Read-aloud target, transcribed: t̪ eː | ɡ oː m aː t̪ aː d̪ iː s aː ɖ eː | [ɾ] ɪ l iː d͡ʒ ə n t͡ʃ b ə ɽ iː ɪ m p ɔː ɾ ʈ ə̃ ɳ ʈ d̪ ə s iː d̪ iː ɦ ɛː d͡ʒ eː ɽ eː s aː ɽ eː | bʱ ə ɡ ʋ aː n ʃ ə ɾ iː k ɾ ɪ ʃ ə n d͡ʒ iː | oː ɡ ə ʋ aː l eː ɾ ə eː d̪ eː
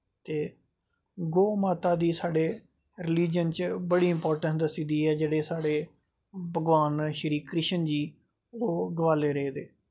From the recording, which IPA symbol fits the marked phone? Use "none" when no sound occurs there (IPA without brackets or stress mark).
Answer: ɾ